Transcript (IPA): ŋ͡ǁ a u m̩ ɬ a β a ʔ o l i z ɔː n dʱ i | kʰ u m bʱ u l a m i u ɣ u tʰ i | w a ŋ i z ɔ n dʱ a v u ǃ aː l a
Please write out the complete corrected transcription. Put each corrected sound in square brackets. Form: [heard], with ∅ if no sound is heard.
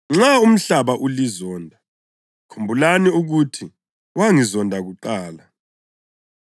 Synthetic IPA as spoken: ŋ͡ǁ a u m̩ ɬ a β a ʔ [u] l i z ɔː n dʱ [a] | kʰ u m bʱ u l a [n] i u ɣ u tʰ i | w a ŋ i z ɔ n dʱ a [ɣ] u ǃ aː l a